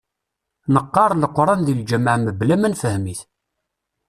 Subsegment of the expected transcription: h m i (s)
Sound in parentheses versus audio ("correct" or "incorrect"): incorrect